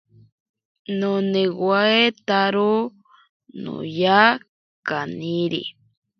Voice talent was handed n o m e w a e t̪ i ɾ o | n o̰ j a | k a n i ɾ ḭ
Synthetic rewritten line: n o n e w a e t̪ a ɾ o | n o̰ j a | k a n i ɾ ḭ